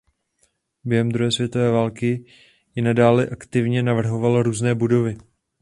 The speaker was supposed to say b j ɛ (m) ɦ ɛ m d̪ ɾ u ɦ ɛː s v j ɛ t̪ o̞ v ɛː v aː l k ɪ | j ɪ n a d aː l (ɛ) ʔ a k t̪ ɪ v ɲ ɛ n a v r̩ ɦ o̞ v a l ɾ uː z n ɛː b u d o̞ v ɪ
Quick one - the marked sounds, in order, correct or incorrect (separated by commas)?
incorrect, correct